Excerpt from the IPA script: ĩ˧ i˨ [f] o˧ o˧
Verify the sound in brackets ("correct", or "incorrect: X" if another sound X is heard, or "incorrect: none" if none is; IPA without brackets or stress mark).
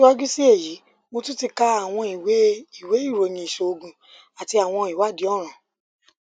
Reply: incorrect: ʃ